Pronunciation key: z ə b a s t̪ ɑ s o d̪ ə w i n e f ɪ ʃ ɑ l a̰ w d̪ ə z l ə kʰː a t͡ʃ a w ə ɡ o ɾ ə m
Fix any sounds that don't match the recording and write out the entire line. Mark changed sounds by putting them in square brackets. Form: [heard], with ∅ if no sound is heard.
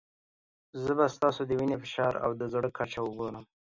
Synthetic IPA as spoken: z ə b a s t̪ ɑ s o d̪ ə w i n e f ɪ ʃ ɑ [ɾ] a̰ w d̪ ə z [ɽ] ə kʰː a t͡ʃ a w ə ɡ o ɾ ə m